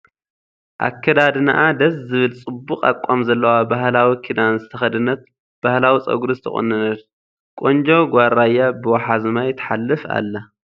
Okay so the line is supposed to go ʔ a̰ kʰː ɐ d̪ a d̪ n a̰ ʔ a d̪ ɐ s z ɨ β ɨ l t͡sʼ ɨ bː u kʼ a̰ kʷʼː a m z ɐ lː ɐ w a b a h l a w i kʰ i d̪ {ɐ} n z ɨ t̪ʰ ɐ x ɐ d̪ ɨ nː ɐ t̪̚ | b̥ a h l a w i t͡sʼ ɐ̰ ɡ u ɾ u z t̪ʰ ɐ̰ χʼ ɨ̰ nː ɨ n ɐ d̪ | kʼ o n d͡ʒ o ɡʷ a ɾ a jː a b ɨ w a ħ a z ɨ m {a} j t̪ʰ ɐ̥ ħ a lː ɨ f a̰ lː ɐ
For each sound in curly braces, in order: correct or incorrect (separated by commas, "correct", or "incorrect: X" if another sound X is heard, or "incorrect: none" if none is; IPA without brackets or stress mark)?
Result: incorrect: a, correct